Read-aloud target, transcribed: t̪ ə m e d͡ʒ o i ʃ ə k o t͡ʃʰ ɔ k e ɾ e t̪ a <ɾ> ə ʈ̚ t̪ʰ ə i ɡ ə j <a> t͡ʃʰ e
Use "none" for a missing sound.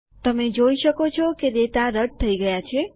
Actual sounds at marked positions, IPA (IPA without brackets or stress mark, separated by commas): ɾ, a